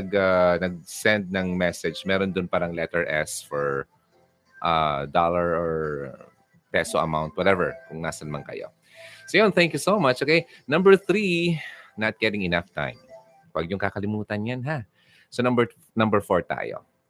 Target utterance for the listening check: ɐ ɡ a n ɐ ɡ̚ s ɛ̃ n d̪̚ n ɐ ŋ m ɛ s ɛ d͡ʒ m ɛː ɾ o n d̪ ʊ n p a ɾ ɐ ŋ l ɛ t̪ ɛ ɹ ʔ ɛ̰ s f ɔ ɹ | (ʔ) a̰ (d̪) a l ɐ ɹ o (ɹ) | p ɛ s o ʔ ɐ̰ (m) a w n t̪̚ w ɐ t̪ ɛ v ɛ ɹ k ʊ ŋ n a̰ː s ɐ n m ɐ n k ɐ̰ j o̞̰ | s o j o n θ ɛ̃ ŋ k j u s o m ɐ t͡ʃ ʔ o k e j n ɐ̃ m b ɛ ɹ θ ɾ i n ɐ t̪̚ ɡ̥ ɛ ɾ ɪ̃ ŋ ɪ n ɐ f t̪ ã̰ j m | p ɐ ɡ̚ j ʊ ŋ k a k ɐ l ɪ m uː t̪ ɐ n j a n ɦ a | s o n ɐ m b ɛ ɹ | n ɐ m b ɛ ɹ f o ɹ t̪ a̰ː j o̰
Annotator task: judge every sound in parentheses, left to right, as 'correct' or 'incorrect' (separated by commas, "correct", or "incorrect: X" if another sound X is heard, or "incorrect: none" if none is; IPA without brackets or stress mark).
correct, correct, correct, correct